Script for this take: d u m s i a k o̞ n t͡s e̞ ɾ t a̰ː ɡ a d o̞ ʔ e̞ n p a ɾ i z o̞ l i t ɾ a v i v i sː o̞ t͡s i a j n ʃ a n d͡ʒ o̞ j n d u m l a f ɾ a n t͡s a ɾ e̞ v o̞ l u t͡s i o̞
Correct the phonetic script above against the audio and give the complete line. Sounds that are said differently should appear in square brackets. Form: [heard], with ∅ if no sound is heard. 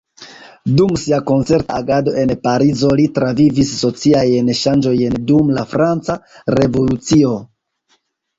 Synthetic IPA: d u m s i a k o̞ n t͡s e̞ ɾ t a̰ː ɡ a d o̞ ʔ e̞ n p a ɾ i z o̞ l i t ɾ a v i v i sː o̞ t͡s i a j n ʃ a n d͡ʒ o̞ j n d u m l a f ɾ a n t͡s a ɾ e̞ v o̞ l u t͡s i o̞